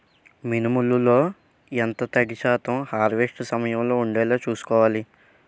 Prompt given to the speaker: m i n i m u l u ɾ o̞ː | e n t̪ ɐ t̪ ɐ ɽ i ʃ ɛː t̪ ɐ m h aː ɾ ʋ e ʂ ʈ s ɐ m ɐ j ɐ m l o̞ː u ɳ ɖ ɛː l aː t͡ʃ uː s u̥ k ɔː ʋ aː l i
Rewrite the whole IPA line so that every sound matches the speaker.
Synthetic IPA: m i n i m u l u l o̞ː | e n t̪ ɐ t̪ ɐ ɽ i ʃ aː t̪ ɐ m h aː ɾ ʋ e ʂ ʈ s ɐ m ɐ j ɐ m l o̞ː u ɳ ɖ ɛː l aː t͡ʃ uː s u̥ k ɔː ʋ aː l i